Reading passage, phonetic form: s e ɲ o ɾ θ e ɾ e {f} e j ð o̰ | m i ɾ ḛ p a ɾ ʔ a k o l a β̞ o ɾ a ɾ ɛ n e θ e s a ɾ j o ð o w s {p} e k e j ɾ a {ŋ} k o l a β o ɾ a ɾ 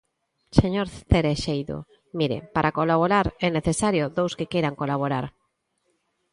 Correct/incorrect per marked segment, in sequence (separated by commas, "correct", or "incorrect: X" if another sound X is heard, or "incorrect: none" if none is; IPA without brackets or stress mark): incorrect: ʃ, incorrect: k, correct